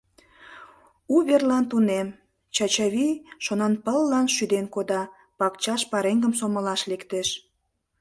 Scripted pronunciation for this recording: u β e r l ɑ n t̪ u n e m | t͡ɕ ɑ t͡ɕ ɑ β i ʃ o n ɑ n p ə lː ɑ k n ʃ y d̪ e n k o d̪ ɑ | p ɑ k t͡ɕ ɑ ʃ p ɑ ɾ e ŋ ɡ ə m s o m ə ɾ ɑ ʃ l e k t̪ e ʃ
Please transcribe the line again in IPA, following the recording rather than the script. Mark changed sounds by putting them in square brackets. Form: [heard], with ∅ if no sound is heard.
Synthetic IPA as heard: u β e r l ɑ n t̪ u n e m | t͡ɕ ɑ t͡ɕ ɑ β i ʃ o n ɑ n p ə lː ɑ [∅] n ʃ y d̪ e n k o d̪ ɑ | p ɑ k t͡ɕ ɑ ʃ p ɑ ɾ e ŋ ɡ ə m s o m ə [l] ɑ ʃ l e k t̪ e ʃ

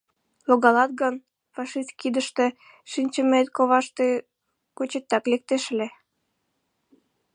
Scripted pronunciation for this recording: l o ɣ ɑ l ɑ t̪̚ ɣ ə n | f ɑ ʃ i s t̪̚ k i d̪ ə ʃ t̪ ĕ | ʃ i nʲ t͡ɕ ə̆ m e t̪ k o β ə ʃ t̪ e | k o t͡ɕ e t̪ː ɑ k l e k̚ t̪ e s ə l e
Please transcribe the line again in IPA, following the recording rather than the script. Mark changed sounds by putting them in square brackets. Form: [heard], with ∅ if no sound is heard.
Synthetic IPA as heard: l o ɣ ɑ l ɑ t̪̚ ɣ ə n | f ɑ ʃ i s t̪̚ k i d̪ ə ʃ t̪ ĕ | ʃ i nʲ t͡ɕ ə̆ m e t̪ k o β [ɑ] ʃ t̪ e | k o t͡ɕ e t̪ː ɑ k l e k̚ t̪ e [ʃ] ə l e

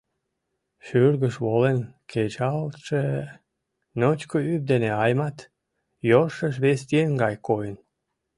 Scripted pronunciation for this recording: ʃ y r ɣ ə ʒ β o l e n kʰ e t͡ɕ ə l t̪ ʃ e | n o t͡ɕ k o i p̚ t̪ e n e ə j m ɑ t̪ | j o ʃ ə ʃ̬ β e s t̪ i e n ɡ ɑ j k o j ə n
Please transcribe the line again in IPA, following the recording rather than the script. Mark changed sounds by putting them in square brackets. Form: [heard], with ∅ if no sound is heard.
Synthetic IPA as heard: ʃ y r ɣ ə [ʃ] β o l e n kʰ e t͡ɕ [ɑ] l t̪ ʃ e | n o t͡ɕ k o [y] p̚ [d̪] e n e [ɑ] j m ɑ t̪ | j o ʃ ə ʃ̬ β e s t̪ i e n ɡ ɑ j k o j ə n

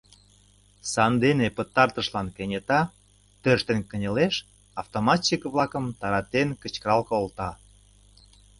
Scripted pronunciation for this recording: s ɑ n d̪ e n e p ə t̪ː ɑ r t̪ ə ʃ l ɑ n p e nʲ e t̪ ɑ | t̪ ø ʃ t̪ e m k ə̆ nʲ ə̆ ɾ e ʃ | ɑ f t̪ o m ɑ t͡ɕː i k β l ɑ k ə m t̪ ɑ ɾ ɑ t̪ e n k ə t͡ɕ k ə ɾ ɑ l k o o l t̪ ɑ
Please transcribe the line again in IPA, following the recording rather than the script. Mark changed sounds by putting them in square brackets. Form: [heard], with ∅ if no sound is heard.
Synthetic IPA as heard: s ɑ n d̪ e n e p ə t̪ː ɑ r t̪ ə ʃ l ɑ n [k] e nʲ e t̪ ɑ | t̪ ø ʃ t̪ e [n] k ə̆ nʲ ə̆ [l] e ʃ | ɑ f t̪ o m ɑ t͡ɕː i k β l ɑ k ə m t̪ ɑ ɾ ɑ t̪ e n k ə t͡ɕ k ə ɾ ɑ l k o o l t̪ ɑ

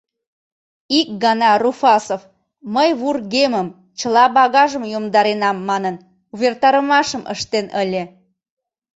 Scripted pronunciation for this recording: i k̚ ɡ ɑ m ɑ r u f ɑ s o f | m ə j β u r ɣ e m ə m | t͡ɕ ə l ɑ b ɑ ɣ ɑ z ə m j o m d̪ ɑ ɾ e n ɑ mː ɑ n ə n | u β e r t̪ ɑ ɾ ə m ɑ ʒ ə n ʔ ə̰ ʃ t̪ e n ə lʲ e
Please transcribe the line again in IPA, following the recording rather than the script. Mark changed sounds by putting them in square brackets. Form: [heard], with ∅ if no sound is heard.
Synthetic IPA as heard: i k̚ ɡ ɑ [n] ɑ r u f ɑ s o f | m ə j β u r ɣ e m ə m | t͡ɕ ə l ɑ b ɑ ɣ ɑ [ʒ] ə m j o m d̪ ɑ ɾ e n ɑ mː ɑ n ə n | u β e r t̪ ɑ ɾ ə m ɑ [ʃ] ə [m] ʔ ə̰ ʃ t̪ e n ə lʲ e

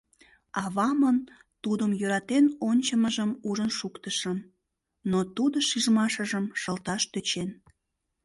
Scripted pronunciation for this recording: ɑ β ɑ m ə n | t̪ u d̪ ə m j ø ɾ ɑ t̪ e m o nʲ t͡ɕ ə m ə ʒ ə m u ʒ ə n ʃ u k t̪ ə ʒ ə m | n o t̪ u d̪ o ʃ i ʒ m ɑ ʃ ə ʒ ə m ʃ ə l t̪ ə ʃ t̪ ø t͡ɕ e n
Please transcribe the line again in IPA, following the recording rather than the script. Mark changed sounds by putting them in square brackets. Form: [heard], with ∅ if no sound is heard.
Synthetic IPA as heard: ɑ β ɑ m ə n | t̪ u d̪ ə m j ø ɾ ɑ t̪ e [n] o nʲ t͡ɕ ə m ə ʒ ə m u ʒ ə n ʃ u k t̪ ə [ʃ] ə m | n o t̪ u d̪ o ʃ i ʒ m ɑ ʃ ə ʒ ə m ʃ ə l t̪ [ɑ] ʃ t̪ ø t͡ɕ e n

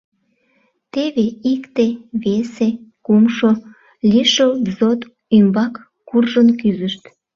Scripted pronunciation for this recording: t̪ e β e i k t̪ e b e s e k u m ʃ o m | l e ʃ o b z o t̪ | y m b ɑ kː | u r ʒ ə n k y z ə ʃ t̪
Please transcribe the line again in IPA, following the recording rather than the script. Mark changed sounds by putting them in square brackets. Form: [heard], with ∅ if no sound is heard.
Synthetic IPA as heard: t̪ e β e i k t̪ e [β] e s e k u m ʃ o [∅] | l [i] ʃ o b z o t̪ | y m b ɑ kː | u r ʒ ə n k y z ə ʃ t̪

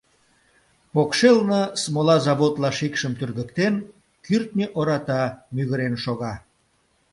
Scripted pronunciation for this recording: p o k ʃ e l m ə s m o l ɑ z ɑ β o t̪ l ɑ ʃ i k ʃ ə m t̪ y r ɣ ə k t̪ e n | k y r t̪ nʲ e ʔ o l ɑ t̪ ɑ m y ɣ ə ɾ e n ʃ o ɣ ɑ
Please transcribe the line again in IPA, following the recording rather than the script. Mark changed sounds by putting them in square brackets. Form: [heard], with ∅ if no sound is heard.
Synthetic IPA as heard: p o k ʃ e l [n] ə s m o l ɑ z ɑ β o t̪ l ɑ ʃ i k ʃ ə m t̪ y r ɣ ə k t̪ e n | k y r t̪ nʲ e ʔ o [ɾ] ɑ t̪ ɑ m y ɣ ə ɾ e n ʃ o ɣ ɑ

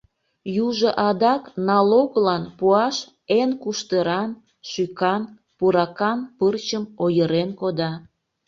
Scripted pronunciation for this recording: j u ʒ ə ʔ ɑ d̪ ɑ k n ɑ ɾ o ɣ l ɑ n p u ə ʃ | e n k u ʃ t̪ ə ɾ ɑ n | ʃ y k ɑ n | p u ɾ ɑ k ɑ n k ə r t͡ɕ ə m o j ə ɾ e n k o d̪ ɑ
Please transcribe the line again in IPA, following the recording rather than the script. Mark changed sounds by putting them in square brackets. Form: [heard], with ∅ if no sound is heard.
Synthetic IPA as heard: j u ʒ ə ʔ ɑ d̪ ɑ k n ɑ [l] o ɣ l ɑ n p u [ɑ] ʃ | e n k u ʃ t̪ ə ɾ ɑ n | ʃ y k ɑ n | p u ɾ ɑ k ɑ n [p] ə r t͡ɕ ə m o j ə ɾ e n k o d̪ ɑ

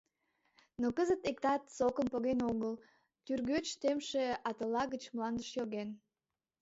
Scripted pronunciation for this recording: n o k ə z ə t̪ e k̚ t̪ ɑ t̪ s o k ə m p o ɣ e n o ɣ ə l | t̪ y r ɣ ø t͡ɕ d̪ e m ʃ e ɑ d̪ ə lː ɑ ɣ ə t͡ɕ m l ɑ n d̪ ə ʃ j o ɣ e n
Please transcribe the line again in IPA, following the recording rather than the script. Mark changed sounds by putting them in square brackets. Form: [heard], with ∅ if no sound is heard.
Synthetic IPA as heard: n o k ə z ə t̪ e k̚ t̪ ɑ t̪ s o k ə m p o ɣ e n o ɣ ə l | t̪ y r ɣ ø t͡ɕ [t̪] e m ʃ e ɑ [t̪] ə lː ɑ ɣ ə t͡ɕ m l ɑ n d̪ ə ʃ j o ɣ e n

